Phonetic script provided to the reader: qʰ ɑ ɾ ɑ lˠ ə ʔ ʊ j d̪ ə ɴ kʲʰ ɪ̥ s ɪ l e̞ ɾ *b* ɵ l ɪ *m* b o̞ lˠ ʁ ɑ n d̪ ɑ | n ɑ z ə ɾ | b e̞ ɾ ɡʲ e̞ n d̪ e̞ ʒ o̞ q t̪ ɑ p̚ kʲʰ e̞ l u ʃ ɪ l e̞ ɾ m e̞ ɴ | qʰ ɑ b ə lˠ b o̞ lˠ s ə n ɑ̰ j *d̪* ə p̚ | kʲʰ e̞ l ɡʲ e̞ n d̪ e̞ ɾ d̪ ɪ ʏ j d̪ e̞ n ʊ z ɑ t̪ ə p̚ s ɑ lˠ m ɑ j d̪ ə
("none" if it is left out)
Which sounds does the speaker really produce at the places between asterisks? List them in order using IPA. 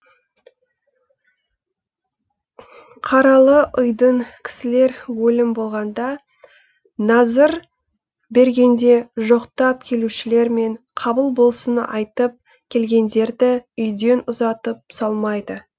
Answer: w, m, t̪

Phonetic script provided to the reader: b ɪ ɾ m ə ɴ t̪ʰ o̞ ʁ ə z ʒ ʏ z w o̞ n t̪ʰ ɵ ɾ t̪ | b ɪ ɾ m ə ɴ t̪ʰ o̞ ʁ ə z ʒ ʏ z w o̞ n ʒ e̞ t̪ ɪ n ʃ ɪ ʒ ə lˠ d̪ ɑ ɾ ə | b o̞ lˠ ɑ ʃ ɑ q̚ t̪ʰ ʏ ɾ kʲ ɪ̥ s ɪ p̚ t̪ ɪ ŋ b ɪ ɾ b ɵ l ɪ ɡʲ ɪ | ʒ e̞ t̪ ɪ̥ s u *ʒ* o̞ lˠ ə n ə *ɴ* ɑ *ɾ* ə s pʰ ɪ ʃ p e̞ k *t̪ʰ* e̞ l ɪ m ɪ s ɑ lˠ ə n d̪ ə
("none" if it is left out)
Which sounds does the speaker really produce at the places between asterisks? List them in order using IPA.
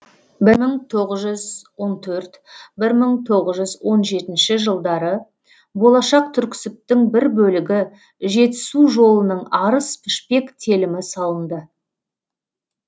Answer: ʒ, ɴ, ɾ, t̪ʰ

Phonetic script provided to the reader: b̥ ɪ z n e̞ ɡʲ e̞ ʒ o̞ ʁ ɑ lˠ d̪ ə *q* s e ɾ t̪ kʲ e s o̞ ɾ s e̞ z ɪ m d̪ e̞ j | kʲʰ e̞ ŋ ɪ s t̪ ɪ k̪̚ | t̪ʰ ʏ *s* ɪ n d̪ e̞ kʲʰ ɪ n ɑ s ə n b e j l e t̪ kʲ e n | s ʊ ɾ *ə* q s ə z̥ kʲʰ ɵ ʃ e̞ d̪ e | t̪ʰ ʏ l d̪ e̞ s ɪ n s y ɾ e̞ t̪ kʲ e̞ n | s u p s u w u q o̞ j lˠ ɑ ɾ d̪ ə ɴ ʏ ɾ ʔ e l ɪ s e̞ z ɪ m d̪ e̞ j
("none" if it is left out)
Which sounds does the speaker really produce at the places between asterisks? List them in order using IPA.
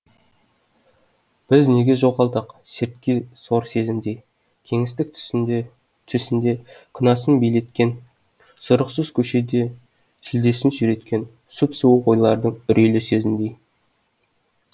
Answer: q, s, ə

